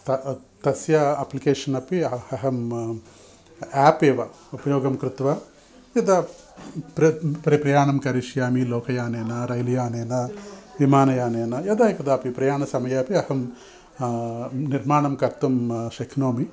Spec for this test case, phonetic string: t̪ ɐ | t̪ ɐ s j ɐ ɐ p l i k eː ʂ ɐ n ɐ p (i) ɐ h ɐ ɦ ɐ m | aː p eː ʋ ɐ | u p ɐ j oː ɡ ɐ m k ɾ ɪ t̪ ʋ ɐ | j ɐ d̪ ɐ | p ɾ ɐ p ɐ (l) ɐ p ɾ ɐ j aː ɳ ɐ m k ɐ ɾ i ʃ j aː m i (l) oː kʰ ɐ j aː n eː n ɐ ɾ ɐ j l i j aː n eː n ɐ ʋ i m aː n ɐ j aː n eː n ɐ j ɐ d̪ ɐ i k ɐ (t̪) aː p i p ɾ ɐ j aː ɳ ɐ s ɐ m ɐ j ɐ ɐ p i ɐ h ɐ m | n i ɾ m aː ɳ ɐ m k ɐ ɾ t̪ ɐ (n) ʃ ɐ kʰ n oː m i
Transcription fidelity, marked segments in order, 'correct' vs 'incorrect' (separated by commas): correct, incorrect, correct, incorrect, incorrect